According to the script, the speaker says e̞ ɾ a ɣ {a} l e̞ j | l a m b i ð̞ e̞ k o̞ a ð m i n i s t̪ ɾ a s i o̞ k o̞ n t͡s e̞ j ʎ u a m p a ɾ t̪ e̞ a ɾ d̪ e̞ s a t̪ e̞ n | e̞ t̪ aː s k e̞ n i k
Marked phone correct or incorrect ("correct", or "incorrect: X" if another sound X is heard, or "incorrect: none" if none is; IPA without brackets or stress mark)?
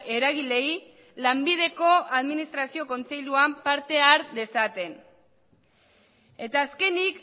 incorrect: i